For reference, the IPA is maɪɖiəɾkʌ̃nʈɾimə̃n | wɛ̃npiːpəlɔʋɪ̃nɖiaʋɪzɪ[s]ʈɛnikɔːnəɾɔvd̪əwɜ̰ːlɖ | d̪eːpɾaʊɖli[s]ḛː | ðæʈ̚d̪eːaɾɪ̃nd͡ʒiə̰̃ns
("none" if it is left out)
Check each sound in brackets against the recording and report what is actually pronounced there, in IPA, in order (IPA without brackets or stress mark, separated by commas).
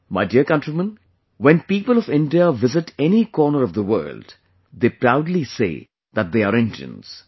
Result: none, s